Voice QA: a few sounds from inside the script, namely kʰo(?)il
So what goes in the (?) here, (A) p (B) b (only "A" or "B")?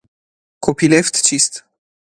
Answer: A